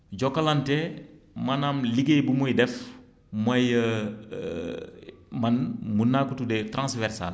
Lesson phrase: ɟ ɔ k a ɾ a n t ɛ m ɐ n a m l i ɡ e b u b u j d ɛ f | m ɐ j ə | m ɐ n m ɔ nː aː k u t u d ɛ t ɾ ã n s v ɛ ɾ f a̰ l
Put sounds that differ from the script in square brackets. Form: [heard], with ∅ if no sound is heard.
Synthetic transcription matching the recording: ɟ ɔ k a [l] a n t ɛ m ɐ n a m l i ɡ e b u [m] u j d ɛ f | m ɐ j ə | m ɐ n m [u] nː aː k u t u d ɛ t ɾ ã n s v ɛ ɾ [s] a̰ l